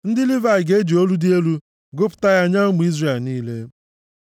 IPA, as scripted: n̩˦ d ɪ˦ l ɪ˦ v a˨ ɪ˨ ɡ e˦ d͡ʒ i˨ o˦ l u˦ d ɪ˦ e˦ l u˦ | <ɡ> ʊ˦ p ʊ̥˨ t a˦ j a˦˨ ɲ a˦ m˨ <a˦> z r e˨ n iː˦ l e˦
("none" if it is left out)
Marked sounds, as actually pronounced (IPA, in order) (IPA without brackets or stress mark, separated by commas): ɡ, i˦